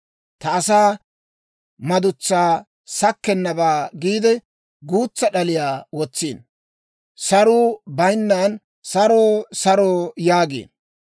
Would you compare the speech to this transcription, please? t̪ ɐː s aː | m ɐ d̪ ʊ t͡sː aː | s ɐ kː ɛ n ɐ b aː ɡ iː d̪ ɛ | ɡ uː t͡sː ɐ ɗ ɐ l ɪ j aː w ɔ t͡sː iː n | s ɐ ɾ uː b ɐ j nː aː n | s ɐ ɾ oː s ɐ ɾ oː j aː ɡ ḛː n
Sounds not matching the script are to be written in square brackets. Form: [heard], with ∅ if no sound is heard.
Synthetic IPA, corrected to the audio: t̪ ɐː s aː | m ɐ d̪ ʊ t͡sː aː | s ɐ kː ɛ [nː] ɐ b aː ɡ iː d̪ ɛ | ɡ uː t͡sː ɐ ɗ ɐ l ɪ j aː w ɔ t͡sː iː n | s ɐ ɾ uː b ɐ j nː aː n | s ɐ ɾ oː s ɐ ɾ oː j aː ɡ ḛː n